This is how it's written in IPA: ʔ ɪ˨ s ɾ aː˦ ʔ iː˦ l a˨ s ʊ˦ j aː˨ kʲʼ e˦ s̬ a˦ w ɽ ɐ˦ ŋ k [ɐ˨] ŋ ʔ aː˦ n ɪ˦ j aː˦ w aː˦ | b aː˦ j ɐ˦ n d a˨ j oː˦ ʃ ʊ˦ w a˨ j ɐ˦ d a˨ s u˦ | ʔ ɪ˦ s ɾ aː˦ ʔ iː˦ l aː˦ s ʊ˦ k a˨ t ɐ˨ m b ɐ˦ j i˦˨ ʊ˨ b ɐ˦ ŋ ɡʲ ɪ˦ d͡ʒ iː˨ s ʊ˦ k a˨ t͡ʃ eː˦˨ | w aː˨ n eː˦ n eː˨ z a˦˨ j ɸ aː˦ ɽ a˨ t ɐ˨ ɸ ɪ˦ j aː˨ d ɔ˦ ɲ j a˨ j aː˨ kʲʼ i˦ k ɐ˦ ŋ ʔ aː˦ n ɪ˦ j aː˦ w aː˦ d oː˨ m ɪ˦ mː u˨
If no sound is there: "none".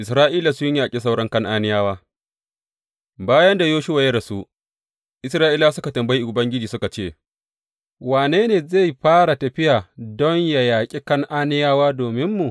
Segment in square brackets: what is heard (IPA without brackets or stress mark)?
ɐ˦